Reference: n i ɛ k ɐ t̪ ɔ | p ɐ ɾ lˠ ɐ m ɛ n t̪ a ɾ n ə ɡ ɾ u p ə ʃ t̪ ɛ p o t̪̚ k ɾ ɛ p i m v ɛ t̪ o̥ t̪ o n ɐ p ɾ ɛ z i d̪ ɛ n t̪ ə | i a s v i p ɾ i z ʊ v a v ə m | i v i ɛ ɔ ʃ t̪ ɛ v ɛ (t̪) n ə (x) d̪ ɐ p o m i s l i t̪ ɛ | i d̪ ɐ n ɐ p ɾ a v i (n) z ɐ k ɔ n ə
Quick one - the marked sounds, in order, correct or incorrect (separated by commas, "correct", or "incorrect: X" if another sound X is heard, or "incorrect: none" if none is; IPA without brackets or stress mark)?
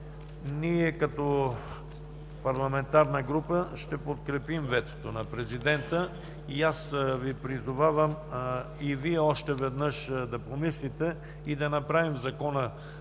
incorrect: d̪, incorrect: ʃ, incorrect: m